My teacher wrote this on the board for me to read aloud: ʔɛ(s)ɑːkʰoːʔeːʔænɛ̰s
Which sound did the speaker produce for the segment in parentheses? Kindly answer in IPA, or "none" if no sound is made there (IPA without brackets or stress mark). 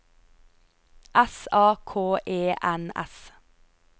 s